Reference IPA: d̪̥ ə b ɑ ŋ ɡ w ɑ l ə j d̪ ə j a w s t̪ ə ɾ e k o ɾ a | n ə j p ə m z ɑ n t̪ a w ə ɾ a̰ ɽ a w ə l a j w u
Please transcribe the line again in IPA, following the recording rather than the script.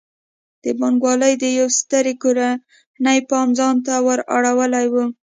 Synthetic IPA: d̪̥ ə b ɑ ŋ ɡ w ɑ l ə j d̪ ə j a w s t̪ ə ɾ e k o ɾ a | n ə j p ɑ m z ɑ n t̪ a w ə ɾ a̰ ɽ a w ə l a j w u